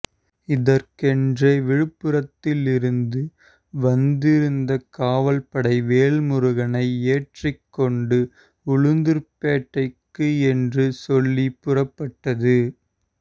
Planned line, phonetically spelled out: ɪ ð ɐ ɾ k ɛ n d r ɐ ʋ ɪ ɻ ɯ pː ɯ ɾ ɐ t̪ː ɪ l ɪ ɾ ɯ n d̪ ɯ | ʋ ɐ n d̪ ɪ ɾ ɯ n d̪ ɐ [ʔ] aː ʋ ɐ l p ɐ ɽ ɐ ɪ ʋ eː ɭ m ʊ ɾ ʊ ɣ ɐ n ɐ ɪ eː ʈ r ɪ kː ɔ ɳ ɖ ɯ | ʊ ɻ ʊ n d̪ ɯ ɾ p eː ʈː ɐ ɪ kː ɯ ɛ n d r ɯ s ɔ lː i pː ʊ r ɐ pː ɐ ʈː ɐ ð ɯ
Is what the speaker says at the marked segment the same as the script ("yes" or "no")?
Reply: no